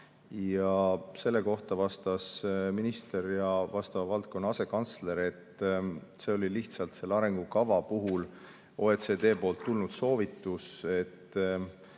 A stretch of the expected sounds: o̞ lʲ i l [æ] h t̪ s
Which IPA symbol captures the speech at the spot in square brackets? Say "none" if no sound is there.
i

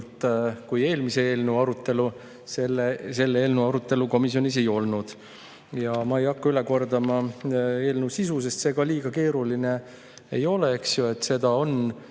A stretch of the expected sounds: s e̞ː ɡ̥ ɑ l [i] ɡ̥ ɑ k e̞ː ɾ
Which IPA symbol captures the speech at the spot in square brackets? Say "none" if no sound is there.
iː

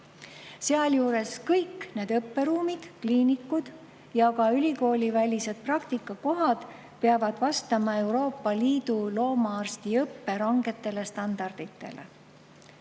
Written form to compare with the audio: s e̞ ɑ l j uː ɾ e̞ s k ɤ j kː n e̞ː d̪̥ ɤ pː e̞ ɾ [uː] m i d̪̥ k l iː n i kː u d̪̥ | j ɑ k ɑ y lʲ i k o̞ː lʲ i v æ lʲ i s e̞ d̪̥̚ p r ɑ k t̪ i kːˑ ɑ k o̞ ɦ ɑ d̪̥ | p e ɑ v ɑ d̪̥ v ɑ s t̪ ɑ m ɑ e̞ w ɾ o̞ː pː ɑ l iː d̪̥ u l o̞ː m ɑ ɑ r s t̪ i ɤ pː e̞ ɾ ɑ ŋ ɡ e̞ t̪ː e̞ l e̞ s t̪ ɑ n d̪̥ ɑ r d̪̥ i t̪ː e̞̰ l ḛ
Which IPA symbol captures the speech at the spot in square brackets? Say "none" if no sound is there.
uː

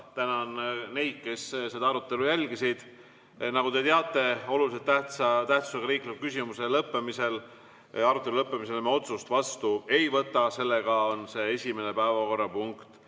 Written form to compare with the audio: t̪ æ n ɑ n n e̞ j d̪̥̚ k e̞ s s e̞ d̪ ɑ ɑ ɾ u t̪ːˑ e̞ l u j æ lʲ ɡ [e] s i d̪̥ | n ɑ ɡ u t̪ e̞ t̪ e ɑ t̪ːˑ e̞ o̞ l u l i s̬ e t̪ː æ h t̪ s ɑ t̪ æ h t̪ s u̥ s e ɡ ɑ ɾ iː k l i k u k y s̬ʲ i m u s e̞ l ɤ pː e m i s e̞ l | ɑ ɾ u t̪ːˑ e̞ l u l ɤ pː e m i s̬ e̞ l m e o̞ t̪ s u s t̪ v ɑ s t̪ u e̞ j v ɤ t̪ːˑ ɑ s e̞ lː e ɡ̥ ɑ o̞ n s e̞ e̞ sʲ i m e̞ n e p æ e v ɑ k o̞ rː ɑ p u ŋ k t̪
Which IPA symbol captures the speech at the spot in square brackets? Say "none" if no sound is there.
i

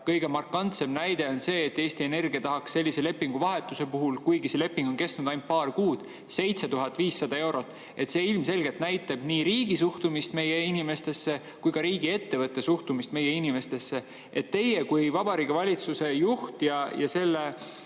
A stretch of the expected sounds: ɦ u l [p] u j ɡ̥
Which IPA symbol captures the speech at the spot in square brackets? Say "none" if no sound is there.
k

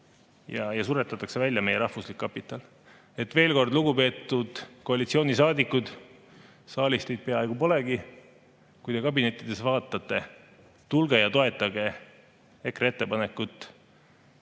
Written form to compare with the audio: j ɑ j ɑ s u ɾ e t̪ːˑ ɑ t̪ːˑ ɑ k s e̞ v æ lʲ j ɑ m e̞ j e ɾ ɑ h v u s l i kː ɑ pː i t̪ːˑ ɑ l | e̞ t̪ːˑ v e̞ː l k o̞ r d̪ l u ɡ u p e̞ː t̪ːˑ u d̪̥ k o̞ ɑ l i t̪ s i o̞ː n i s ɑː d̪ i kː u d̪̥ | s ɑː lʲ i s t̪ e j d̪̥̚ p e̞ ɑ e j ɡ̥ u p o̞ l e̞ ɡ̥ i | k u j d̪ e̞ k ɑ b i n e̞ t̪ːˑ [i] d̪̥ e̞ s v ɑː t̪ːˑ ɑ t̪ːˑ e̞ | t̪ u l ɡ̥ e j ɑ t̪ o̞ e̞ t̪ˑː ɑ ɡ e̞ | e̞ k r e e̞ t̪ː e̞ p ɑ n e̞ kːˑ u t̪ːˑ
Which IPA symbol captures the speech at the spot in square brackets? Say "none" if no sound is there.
i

